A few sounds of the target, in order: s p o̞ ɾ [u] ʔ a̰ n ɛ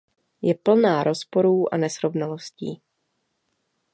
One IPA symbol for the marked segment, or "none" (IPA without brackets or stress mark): uː